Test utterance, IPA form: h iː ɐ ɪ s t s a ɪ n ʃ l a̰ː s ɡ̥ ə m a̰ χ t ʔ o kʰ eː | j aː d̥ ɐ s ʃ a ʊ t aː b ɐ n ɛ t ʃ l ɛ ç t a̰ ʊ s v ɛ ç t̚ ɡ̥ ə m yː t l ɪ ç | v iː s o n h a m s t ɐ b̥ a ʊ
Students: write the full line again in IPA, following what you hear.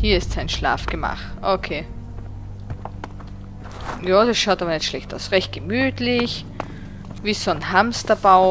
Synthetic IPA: h iː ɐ ɪ s t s a ɪ n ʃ l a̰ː f ɡ̥ ə m a̰ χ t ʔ o kʰ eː | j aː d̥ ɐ s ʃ a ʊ t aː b ɐ n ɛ t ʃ l ɛ ç t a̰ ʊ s ʁ ɛ ç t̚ ɡ̥ ə m yː t l ɪ ç | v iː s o n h a m s t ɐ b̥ a ʊ

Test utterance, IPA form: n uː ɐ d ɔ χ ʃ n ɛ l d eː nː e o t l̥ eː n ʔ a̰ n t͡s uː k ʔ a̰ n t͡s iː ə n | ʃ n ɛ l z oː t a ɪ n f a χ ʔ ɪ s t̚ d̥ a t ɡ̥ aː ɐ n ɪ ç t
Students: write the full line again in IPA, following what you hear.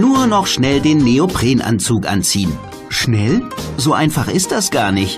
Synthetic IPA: n uː ɐ n ɔ χ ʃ n ɛ l d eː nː e o p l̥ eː n ʔ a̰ n t͡s uː k ʔ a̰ n t͡s iː ə n | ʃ n ɛ l z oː ʔ a ɪ n f a χ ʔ ɪ s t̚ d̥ a s ɡ̥ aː ɐ n ɪ ç t

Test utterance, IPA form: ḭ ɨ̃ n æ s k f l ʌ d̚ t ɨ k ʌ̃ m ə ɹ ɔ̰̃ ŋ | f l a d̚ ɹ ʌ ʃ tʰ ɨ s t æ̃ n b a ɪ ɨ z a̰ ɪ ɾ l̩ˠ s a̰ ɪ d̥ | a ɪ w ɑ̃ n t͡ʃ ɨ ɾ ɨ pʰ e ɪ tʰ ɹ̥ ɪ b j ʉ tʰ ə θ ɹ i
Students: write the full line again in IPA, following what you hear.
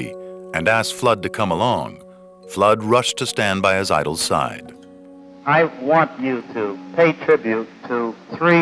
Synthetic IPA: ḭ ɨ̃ n æ s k f l ʌ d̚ t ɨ kʰ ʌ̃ m ə l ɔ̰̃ ŋ | f l ʌ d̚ ɹ ʌ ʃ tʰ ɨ s t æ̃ n b a ɪ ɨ z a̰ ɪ ɾ l̩ˠ s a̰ ɪ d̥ | a ɪ w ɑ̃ n t͡ʃ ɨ ɾ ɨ pʰ e ɪ tʰ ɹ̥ ɪ b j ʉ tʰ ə θ ɹ i

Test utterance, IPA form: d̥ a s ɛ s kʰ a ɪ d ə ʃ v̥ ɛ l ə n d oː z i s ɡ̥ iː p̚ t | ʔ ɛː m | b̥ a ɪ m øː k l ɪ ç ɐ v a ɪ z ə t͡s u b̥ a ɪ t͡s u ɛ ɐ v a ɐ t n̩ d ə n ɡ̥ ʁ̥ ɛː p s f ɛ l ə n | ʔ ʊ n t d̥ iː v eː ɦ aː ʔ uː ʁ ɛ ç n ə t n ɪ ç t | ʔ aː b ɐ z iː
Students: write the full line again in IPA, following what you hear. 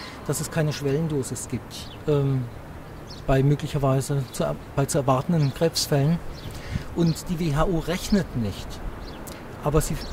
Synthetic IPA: d̥ a s ɛ s kʰ a ɪ n ə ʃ v̥ ɛ l ə n d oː z ɪ s ɡ̥ iː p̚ t | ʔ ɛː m | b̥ a ɪ m øː k l ɪ ç ɐ v a ɪ z ə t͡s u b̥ a ɪ t͡s u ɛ ɐ v a ɐ t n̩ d ə n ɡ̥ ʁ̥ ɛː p s f ɛ l ə n | ʔ ʊ n t d̥ iː v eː ɦ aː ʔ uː ʁ ɛ ç n ə t n ɪ ç t | ʔ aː b ɐ z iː

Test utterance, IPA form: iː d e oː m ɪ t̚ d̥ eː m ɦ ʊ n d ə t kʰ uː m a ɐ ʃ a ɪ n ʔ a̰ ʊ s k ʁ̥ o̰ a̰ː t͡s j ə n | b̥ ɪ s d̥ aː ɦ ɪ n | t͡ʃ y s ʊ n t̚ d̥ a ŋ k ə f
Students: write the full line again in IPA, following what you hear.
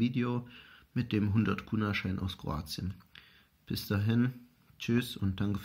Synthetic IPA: iː d e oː m ɪ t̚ d̥ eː m ɦ ʊ n d ɐ t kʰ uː n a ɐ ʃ a ɪ n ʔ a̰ ʊ s k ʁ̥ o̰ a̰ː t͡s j ə n | b̥ ɪ s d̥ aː ɦ ɪ n | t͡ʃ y s ʊ n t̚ d̥ a ŋ k ə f

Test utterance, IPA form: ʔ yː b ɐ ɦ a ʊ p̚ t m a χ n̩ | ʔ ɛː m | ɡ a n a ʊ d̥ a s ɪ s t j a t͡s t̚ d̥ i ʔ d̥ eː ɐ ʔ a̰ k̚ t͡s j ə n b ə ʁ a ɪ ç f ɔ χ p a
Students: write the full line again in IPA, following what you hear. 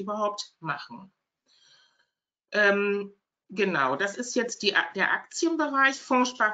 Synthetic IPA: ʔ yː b ɐ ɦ a ʊ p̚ t m a χ n̩ | ʔ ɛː m | ɡ ə n a ʊ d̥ a s ɪ s t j ɛ t͡s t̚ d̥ i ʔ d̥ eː ɐ ʔ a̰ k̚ t͡s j ə n b ə ʁ a ɪ ç f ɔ ʃ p a

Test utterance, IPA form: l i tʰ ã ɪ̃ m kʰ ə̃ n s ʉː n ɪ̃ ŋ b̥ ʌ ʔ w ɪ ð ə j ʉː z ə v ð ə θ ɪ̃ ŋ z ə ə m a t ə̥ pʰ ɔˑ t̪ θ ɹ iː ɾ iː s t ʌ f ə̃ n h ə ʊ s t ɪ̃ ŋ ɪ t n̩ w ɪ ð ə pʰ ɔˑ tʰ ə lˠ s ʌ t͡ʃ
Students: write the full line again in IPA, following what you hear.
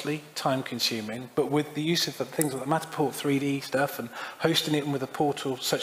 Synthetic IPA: l i tʰ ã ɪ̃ m kʰ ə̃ n s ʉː m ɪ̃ ŋ b̥ ʌ ʔ w ɪ ð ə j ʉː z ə v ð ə θ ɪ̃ ŋ z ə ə m a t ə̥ pʰ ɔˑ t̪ θ ɹ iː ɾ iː s t ʌ f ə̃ n h ə ʊ s t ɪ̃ ŋ ɪ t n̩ w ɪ ð ə pʰ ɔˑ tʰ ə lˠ s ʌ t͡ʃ

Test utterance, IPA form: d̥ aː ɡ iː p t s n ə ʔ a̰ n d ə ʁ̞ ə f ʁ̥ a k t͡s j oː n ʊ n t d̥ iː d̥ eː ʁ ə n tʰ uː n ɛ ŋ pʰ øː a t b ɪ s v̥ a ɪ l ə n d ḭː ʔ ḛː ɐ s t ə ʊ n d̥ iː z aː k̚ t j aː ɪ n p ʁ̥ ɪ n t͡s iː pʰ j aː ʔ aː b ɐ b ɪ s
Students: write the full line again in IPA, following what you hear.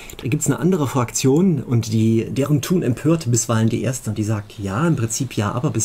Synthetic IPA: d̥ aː ɡ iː p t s n ə ʔ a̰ n d ə ʁ̞ ə f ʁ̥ a k t͡s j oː n ʊ n t d̥ iː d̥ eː ʁ ə n tʰ uː n ɛ m pʰ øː ɐ t b ɪ s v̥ a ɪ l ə n d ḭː ʔ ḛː ɐ s t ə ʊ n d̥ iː z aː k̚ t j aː ɪ m p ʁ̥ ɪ n t͡s iː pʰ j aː ʔ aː b ɐ b ɪ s

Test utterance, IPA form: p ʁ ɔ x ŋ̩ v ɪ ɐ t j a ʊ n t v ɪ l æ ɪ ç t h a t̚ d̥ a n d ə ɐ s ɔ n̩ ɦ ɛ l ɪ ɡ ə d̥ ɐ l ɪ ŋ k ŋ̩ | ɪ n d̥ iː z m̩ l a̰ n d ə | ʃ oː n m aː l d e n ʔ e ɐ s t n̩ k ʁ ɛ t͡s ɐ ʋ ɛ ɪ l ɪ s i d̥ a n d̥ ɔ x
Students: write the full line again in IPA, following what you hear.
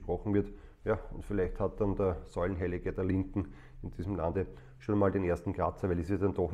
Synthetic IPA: p ʁ ɔ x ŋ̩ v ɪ ɐ t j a ʊ n t f ɪ l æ ɪ ç t h a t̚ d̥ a n d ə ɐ s ɔ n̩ ɦ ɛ l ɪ ɡ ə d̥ ɐ l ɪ ŋ k ŋ̩ | ɪ n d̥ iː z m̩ l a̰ n d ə | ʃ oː n m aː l d e n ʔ e ɐ s t n̩ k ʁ a t͡s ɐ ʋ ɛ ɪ l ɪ s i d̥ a n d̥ ɔ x

